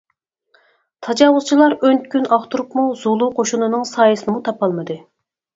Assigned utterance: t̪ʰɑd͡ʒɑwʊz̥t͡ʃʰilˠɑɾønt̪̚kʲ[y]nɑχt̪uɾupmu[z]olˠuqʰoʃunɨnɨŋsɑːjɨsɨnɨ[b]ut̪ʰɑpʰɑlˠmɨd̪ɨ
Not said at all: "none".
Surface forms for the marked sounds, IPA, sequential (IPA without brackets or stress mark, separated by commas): y, z, m